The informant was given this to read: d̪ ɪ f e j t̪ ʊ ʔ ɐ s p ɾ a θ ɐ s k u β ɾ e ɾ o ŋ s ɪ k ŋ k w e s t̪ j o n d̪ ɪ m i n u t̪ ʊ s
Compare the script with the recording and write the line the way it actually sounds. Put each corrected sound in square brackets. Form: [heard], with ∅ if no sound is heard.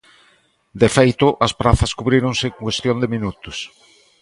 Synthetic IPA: d̪ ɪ f e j t̪ ʊ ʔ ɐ s p ɾ a θ ɐ s k u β ɾ [i] ɾ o ŋ s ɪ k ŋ k w e s t̪ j o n d̪ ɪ m i n u t̪ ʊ s